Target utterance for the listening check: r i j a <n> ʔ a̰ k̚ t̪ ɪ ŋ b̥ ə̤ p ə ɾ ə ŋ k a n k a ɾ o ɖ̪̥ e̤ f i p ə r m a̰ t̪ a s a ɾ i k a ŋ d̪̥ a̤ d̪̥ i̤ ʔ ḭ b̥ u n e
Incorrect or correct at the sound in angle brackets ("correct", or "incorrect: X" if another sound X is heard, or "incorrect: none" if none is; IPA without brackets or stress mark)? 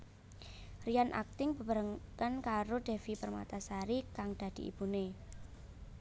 correct